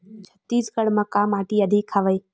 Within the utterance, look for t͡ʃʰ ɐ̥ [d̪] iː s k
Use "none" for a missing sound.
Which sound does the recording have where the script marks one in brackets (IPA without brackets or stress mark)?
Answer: t̪